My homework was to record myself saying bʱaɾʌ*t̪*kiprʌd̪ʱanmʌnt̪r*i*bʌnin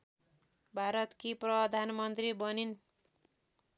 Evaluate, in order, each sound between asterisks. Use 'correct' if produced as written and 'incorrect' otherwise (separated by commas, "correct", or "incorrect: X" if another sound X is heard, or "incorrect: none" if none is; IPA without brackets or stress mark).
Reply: correct, correct